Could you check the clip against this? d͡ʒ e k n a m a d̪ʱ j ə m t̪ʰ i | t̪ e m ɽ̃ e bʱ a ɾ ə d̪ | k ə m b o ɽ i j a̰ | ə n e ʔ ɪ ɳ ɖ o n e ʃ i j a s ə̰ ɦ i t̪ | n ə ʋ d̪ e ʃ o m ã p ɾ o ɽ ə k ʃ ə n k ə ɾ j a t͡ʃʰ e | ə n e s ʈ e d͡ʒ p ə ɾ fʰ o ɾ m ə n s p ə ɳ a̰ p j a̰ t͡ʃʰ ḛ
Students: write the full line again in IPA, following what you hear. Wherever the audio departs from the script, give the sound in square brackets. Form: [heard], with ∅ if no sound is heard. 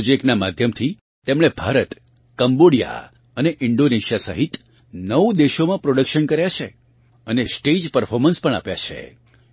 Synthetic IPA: d͡ʒ e k n a m a d̪ʱ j ə m t̪ʰ i | t̪ e m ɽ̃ e bʱ a ɾ ə [t̪] | k ə m b o ɽ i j a̰ | ə n e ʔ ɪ ɳ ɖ o n e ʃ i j a s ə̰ ɦ i t̪ | n ə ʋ d̪ e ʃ o m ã p ɾ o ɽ ə k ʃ ə n k ə ɾ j a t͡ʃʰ e | ə n e s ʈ e d͡ʒ p ə ɾ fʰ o ɾ m ə n s p ə ɳ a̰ p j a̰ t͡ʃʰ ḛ